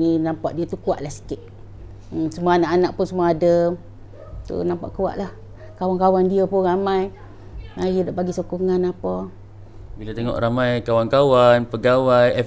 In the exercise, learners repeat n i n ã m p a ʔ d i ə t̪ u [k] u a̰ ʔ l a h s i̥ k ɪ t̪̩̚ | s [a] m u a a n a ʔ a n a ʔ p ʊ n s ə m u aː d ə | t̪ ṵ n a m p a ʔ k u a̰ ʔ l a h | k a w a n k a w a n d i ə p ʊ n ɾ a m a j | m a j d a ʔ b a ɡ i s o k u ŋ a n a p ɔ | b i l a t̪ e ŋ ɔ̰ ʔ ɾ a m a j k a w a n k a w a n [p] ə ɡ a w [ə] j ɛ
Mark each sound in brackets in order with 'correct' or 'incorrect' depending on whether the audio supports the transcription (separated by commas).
correct, incorrect, correct, incorrect